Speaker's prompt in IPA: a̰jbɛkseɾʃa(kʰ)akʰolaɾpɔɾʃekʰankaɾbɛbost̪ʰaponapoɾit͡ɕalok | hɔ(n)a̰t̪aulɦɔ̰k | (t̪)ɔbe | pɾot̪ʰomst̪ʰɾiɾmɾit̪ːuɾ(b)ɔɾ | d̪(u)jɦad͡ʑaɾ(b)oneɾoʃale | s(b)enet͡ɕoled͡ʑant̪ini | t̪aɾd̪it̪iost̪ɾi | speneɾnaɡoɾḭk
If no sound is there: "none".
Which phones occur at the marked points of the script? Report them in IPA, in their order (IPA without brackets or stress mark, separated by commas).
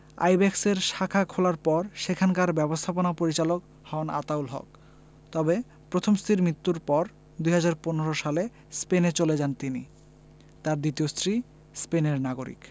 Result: kʰ, n, t̪, p, u, p, p